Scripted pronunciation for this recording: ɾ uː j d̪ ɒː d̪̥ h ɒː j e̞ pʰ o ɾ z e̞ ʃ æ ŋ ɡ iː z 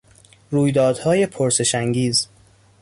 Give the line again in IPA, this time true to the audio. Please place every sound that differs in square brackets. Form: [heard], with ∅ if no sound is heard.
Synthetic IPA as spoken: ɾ uː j d̪ ɒː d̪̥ h ɒː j e̞ pʰ o ɾ [s] e̞ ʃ æ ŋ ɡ iː z